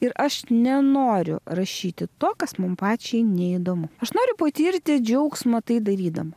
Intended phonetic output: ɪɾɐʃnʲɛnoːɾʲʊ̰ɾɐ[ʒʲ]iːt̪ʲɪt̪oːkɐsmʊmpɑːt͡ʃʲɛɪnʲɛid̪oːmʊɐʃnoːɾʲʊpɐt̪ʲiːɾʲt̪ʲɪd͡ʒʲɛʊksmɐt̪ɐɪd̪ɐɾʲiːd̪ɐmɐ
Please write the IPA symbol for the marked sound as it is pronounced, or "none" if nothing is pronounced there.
ʃʲ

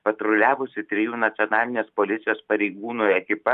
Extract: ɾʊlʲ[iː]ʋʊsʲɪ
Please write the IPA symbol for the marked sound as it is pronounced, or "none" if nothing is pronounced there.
æː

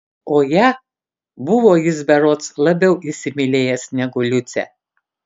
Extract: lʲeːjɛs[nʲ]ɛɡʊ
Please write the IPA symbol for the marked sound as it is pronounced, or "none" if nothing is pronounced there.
nʲ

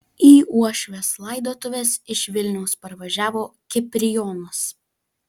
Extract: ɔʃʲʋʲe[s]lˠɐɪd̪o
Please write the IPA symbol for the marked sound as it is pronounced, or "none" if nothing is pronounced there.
s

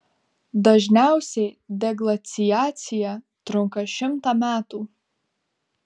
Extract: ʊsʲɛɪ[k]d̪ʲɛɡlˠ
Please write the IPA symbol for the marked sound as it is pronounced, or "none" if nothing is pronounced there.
none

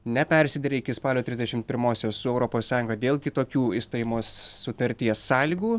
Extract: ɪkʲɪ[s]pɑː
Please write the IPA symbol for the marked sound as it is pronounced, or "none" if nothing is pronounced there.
s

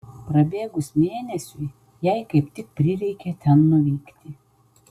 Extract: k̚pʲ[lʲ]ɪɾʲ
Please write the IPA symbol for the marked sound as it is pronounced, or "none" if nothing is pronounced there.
ɾʲ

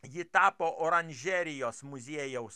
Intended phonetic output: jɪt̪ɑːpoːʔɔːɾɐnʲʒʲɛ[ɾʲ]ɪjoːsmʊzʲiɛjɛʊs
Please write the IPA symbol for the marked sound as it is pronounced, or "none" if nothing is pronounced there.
ɾʲ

